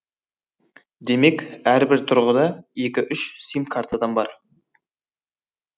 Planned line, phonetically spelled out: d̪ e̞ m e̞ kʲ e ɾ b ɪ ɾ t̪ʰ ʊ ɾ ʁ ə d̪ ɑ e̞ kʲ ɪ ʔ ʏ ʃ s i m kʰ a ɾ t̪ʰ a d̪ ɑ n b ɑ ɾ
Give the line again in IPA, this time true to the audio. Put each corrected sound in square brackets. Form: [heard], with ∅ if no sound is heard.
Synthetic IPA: d̪ e̞ m e̞ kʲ [æ] ɾ b ɪ ɾ t̪ʰ ʊ ɾ ʁ ə d̪ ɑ e̞ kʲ ɪ ʔ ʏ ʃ s i m kʰ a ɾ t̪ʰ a d̪ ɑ n b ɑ ɾ

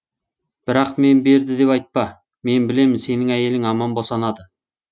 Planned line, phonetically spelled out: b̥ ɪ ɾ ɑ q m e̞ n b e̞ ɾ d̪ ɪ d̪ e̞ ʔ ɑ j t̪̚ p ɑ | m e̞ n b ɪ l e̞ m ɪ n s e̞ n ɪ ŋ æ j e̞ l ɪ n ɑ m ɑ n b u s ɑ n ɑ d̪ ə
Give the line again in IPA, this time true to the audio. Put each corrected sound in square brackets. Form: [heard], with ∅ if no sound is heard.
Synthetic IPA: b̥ ɪ ɾ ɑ q m e̞ n b e̞ ɾ d̪ ɪ d̪ e̞ [p] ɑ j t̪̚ p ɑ | m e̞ n b ɪ l e̞ m ɪ n s e̞ n ɪ ŋ æ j e̞ l ɪ [ŋ] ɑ m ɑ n b [o] s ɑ n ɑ d̪ ə

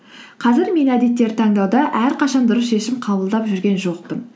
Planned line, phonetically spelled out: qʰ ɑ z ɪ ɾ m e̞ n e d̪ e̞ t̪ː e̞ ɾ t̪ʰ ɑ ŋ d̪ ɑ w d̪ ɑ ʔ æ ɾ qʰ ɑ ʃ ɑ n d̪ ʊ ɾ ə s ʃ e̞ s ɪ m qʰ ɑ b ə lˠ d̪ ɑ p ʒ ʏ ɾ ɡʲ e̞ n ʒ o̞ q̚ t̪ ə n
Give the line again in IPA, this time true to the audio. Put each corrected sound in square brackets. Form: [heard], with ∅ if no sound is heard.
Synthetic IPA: qʰ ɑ z ɪ ɾ m e̞ n [æ] d̪ e̞ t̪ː e̞ ɾ t̪ʰ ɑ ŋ d̪ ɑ w d̪ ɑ ʔ æ ɾ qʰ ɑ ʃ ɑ n d̪ ʊ ɾ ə s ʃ e̞ [ʃ] ɪ m qʰ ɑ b ə lˠ d̪ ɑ p ʒ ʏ ɾ ɡʲ e̞ n ʒ o̞ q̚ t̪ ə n

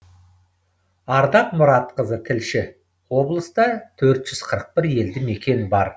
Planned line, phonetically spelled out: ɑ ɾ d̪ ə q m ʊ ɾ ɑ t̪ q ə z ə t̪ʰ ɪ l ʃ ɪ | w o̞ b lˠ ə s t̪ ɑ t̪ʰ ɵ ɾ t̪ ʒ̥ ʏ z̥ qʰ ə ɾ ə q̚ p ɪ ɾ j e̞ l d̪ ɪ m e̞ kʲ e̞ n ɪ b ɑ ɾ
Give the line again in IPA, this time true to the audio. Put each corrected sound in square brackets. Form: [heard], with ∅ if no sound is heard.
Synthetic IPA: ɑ ɾ d̪ [ɑ] q m ʊ ɾ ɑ t̪ q ə z ə t̪ʰ ɪ l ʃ ɪ | w o̞ b lˠ ə s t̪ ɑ t̪ʰ ɵ ɾ t̪ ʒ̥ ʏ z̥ qʰ ə ɾ ə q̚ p ɪ ɾ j e̞ l d̪ ɪ m e̞ kʲ e̞ n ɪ b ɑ ɾ

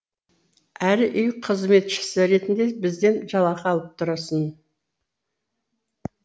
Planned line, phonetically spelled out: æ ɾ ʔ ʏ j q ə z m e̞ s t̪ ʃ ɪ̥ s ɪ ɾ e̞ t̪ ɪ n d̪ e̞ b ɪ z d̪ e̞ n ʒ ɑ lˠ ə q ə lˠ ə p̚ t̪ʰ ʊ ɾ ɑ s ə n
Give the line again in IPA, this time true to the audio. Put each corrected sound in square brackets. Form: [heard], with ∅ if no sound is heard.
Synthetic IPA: æ ɾ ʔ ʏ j [qʰ] ə z m e̞ [∅] t̪ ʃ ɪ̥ s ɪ ɾ e̞ t̪ ɪ n d̪ e̞ b ɪ z d̪ e̞ n ʒ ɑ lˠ [ɑ] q [ɑ] lˠ ə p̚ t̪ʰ ʊ ɾ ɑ s ə n

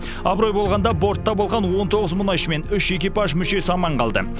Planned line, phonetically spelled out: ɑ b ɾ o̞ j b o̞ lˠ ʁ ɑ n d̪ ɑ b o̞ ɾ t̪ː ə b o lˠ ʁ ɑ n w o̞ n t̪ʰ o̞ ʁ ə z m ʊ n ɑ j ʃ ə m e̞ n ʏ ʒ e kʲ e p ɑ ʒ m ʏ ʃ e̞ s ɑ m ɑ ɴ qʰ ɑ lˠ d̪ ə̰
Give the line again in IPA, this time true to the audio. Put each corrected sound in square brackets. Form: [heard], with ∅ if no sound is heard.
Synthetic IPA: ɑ b ɾ o̞ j b o̞ lˠ ʁ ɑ n d̪ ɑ b o̞ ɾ t̪ː [ɑ] b o lˠ ʁ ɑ n w o̞ n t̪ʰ o̞ ʁ ə z m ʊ n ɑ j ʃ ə m e̞ n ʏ [ʃ] e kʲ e p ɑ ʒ m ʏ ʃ e̞ s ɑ m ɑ ɴ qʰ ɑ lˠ d̪ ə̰

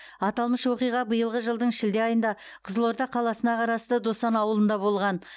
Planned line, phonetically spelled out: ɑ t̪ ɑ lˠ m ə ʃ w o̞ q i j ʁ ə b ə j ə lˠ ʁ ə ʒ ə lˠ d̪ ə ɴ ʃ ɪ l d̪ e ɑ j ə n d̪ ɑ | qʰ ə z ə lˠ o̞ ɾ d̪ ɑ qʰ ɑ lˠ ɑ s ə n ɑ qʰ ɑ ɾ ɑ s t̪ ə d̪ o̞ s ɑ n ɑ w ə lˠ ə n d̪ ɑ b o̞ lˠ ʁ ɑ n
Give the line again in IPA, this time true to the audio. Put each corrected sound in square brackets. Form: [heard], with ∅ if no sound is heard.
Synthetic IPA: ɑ t̪ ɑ lˠ m ə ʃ w o̞ q i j ʁ [ɑ] b ə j ə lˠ ʁ ə ʒ ə lˠ d̪ ə ɴ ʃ ɪ l d̪ e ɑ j ə n d̪ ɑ | qʰ ə z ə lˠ o̞ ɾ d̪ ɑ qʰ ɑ lˠ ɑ s ə n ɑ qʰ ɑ ɾ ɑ s t̪ ə d̪ o̞ s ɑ n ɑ w ə lˠ ə n d̪ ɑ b o̞ lˠ ʁ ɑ n

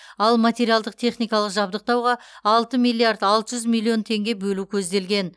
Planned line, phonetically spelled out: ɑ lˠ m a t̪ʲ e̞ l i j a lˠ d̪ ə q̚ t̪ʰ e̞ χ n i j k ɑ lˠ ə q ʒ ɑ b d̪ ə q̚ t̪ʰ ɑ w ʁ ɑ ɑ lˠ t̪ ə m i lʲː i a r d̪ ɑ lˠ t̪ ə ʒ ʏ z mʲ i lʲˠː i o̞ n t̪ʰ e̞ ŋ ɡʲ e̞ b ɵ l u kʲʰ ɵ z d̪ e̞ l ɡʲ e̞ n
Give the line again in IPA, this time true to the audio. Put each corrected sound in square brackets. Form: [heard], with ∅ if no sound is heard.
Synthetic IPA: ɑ lˠ m a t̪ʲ e̞ [ɾ] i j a lˠ d̪ ə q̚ t̪ʰ e̞ χ n i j k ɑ lˠ ə q ʒ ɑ b d̪ ə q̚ [t̪] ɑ w ʁ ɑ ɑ lˠ t̪ ə m i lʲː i a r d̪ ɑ lˠ t̪ ə ʒ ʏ z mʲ i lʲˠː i o̞ n t̪ʰ e̞ ŋ ɡʲ e̞ b ɵ l u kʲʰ ɵ z d̪ e̞ l ɡʲ e̞ n

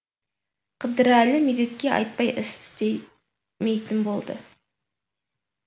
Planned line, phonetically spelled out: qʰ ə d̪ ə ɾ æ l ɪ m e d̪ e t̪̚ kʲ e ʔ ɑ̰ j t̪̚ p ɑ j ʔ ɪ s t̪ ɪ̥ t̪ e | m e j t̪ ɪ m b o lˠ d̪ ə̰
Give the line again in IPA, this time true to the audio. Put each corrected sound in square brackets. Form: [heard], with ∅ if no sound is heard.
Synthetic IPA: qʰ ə d̪ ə ɾ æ l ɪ m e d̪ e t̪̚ kʲ e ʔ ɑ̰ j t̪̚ p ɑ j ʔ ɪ s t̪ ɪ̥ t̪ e | m e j t̪ ɪ m b o lˠ d̪ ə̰

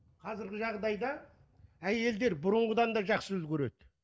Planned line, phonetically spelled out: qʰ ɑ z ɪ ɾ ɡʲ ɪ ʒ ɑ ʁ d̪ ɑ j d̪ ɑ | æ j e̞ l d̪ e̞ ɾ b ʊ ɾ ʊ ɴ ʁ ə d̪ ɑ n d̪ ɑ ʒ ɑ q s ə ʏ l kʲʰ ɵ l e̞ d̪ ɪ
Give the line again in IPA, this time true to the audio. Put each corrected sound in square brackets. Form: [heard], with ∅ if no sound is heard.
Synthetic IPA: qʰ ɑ z ɪ ɾ ɡʲ ɪ ʒ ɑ ʁ d̪ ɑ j d̪ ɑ | æ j e̞ l d̪ e̞ ɾ b ʊ ɾ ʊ ɴ ʁ ə d̪ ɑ n d̪ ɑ ʒ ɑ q s ə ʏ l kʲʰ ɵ [ɾ] e̞ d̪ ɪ

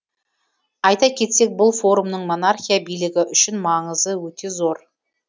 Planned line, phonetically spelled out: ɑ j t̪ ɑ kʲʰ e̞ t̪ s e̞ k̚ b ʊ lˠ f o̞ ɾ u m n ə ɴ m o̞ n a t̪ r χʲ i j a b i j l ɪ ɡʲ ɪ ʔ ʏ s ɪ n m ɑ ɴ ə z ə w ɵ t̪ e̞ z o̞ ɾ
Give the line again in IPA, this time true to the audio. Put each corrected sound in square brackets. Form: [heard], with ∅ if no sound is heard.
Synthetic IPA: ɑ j t̪ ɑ kʲʰ e̞ t̪ s e̞ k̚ b ʊ lˠ f o̞ ɾ u m n ə ɴ m o̞ n a [∅] r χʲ i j a b i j l ɪ ɡʲ ɪ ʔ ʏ [ʃ] ɪ n m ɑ ɴ ə z ə w ɵ t̪ e̞ z o̞ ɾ

